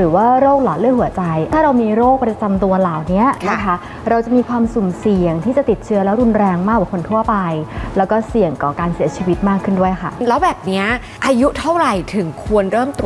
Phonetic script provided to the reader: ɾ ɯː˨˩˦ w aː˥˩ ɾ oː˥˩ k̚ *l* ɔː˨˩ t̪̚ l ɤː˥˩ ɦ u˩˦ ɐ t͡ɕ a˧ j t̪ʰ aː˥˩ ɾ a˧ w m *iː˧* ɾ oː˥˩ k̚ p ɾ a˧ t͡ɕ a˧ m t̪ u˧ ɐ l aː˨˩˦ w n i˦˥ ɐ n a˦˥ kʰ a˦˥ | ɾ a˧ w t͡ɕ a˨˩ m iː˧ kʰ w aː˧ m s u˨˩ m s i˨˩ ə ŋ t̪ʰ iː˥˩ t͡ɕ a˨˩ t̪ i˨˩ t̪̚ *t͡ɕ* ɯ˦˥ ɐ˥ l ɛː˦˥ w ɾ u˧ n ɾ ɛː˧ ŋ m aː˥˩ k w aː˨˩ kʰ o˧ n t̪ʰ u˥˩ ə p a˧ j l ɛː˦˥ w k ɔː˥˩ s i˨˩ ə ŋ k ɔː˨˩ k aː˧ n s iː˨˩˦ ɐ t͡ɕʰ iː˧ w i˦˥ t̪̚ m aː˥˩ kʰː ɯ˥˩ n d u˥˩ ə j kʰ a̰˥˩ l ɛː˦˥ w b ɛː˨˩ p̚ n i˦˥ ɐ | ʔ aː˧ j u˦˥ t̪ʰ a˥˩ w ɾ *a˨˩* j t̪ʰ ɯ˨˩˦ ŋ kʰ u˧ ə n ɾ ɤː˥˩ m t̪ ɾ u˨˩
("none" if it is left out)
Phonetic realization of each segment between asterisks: l, iː˧, t͡ɕʰ, a˨˩

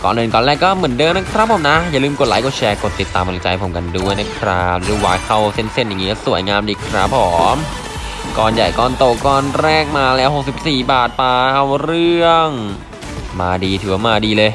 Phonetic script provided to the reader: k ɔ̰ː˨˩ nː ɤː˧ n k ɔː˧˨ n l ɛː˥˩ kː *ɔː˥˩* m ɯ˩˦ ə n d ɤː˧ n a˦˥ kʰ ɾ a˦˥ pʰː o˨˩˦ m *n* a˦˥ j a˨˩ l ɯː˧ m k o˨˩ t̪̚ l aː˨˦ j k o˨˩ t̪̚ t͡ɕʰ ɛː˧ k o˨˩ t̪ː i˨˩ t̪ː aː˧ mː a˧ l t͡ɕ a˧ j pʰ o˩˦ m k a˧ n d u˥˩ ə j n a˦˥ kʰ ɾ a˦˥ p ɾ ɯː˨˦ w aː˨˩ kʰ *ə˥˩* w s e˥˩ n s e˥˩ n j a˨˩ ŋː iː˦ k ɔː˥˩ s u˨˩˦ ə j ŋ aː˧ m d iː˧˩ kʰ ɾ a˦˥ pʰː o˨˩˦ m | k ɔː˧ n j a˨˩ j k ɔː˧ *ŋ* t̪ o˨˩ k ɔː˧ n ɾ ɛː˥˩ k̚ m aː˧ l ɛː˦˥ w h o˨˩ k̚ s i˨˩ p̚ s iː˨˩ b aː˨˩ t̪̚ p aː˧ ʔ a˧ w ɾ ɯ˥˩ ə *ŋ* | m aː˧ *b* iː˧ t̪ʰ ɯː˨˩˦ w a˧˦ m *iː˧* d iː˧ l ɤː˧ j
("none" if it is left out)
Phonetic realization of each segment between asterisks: ɔː˥˩, n, a˥˩, n, ŋ, d, aː˧

